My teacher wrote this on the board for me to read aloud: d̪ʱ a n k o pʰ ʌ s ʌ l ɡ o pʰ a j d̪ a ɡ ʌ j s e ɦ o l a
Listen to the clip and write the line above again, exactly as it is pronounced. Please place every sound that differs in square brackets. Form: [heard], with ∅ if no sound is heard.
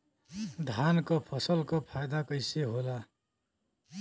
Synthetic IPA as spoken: d̪ʱ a n k o pʰ ʌ s ʌ l [k] o pʰ a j d̪ a [k] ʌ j s e ɦ o l a